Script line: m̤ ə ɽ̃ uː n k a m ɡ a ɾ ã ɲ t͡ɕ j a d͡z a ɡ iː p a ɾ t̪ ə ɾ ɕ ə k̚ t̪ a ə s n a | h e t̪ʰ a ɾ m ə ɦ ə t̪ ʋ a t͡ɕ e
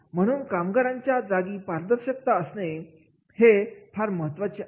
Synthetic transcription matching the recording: m̤ ə ɽ̃ uː n k a m ɡ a ɾ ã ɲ t͡ɕ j a d͡z a ɡ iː p a ɾ d̪ ə ɾ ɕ ə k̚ t̪ a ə s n e | h e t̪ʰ a ɾ m ə ɦ ə t̪ ʋ a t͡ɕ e

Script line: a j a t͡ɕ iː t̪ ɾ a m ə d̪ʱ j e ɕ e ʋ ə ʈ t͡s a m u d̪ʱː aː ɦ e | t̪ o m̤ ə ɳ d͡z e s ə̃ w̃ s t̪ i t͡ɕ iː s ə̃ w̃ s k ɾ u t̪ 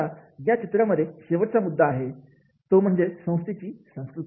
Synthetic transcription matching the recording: a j a t͡ɕ i t̪ ɾ a m ə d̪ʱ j e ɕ e ʋ ə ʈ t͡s a m u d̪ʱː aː ɦ e | t̪ o m̤ ə ɳ d͡z e s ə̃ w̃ s t̪ i t͡ɕ iː s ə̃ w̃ s k ɾ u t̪

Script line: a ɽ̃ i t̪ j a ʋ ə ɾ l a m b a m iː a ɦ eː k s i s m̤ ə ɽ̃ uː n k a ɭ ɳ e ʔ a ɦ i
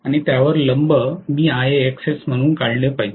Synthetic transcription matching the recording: a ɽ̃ i t̪ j a ʋ ə ɾ l ə m b ə m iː a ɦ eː k s e s m̤ ə ɽ̃ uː n k a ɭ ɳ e p a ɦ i

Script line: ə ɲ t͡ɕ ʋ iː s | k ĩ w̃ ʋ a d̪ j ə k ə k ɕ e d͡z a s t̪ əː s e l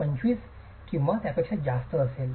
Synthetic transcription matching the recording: ə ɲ t͡ɕ ʋ iː s | k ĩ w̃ ʋ a t̪ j a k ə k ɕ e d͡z a s t̪ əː s e l

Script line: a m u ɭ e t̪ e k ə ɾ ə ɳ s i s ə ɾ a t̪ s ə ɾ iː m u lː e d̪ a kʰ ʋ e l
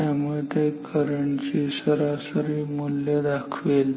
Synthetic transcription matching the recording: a m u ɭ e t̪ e k ə ɾ ə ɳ s i s ə ɾ a s ə ɾ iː m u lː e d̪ a kʰ ʋ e l

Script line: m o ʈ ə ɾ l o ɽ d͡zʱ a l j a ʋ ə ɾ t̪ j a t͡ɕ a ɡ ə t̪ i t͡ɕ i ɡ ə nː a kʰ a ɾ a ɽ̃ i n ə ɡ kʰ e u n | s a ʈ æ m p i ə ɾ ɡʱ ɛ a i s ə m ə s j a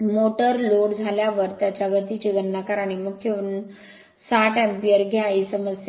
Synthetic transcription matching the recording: m o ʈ ə ɾ l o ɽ d͡zʱ a l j a ʋ ə ɾ t̪ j a t͡ɕ a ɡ ə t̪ i t͡ɕ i ɡ ə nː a k a ɾ a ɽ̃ i m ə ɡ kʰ e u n | s a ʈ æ m p i ə ɾ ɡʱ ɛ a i s ə m ə s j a

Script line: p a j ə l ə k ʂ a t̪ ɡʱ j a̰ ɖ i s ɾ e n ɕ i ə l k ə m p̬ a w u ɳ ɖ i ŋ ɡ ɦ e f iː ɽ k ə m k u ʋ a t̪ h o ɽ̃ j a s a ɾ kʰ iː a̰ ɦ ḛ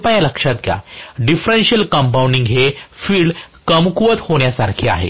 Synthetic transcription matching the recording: p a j a l ə k ʂ a t̪ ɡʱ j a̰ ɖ i f ɾ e n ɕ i ə l k ə m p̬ a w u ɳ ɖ i ŋ ɡ ɦ e f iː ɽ k ə m k u ʋ ə t̪ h o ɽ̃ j a s a ɾ kʰ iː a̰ ɦ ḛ

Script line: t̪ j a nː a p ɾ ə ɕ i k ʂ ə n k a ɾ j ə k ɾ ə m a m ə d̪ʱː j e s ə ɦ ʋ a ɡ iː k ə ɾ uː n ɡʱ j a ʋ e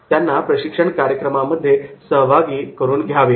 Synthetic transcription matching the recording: t̪ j a nː a p ɾ ə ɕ i k ʂ ə ɳ k a ɾ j ə k ɾ ə m a m ə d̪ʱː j e s ə ɦ ʋ a ɡ iː k ə ɾ uː n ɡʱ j a ʋ e

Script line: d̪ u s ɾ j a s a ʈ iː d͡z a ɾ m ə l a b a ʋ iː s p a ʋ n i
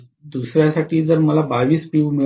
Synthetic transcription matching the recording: d̪ u s ɾ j a s a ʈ iː d͡z ə ɾ m ə l a b a ʋ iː s p i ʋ m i

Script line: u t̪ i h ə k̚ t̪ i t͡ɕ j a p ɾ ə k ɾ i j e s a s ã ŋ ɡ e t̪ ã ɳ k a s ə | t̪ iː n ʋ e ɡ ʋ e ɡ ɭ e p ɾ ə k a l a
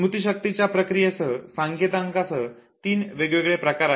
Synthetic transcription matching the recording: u t̪ i ɕ ə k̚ t̪ i t͡ɕ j a p ɾ ə k ɾ i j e s ə s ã ŋ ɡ e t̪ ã ŋ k a s ə | t̪ iː n ʋ e ɡ ʋ e ɡ ɭ e p ɾ ə k a ɾ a

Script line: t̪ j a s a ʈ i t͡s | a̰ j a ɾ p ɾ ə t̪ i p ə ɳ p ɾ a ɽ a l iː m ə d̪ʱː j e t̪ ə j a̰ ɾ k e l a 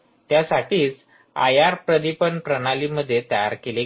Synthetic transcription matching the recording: t̪ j a s a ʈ iː t͡s | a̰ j a ɾ p ɾ ə d̪ i p ə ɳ p ɾ ə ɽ a l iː m ə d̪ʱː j e t̪ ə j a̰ ɾ k e l e

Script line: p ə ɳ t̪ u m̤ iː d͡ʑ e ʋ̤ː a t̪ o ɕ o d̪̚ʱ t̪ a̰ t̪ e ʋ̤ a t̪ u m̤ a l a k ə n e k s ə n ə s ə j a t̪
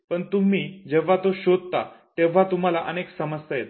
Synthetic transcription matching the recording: p ə ɳ t̪ u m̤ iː d͡ʑ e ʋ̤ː a t̪ o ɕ o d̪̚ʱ t̪ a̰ t̪ e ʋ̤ a t̪ u m̤ a l a ʔ ə n e k s ə m ə s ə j e t̪

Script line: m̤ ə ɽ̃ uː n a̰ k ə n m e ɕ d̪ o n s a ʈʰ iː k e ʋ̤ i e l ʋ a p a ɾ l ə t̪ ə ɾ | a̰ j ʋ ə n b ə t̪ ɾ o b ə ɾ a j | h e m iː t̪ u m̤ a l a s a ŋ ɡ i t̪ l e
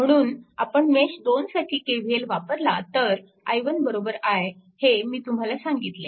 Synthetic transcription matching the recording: m̤ ə ɽ̃ uː n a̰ p ə ɳ m e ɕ d̪ o n s a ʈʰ iː k e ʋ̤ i e l ʋ a p ə ɾ l a t̪ ə ɾ | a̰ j ʋ ə n b ə ɾ o b ə ɾ a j | h e m iː t̪ u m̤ a l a s a ŋ ɡ i t̪ l e

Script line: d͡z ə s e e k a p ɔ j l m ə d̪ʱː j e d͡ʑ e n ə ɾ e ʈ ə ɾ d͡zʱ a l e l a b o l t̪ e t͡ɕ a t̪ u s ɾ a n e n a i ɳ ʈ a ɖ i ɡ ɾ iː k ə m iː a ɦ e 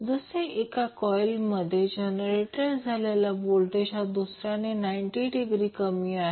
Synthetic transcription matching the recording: d͡z ə s e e k a k ɔ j l m ə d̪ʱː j e d͡ʑ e n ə ɾ e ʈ ə ɾ d͡zʱ a l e l a b o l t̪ e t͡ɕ a d̪ u s ɾ a n e n a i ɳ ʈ i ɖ i ɡ ɾ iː k ə m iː a ɦ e

